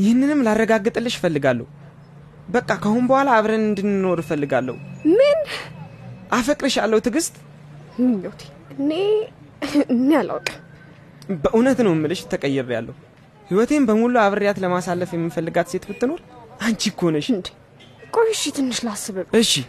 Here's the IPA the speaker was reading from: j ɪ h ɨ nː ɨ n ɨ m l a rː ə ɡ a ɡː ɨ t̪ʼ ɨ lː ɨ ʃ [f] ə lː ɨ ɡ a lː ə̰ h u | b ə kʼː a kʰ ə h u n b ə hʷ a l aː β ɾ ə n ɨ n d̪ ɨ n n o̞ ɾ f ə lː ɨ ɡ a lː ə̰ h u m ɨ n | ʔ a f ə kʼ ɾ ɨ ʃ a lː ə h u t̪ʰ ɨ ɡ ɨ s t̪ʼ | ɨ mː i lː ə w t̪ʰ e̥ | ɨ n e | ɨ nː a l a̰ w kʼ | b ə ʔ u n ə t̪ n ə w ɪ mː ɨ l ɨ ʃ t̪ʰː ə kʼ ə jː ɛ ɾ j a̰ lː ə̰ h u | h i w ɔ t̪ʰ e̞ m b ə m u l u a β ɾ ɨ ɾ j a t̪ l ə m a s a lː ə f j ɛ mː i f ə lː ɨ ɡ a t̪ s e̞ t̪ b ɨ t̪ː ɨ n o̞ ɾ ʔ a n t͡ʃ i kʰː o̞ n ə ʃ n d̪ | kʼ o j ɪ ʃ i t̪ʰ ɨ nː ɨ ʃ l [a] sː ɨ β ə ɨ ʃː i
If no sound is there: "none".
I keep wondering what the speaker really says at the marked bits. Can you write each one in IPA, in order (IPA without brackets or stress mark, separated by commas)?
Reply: f, a